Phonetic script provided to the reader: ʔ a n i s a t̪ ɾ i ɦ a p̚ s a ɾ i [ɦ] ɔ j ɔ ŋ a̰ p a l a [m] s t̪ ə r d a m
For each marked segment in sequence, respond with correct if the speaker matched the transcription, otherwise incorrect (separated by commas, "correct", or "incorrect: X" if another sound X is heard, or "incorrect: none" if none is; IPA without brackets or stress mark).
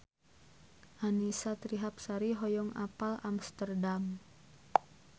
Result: correct, correct